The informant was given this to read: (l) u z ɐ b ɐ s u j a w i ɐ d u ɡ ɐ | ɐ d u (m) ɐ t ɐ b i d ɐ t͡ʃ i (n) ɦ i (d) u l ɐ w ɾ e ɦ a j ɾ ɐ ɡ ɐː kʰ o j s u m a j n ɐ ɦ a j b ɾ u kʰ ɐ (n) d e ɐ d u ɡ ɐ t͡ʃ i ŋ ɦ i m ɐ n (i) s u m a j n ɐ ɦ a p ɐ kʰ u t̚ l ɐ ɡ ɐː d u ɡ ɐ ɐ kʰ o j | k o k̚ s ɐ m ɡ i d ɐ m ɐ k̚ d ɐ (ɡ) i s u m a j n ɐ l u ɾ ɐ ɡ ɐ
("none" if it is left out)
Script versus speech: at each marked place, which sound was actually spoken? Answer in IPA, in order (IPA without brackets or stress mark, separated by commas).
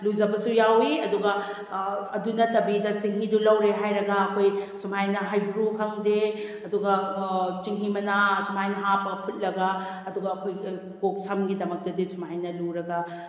l, n, ŋ, d, ŋ, a, d